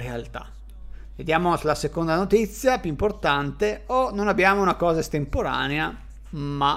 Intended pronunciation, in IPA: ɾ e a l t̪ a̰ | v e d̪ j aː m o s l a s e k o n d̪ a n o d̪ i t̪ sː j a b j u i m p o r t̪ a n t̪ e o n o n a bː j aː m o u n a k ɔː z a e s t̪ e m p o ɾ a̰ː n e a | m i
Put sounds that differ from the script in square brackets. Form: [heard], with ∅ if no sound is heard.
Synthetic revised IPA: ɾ e a l t̪ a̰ | v e d̪ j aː m o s l a s e k o n d̪ a n o [t̪] i t̪ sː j a [p] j u i m p o r t̪ a n t̪ e o n o n a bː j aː m o u n a k ɔː z a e s t̪ e m p o ɾ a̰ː n e a | m [a]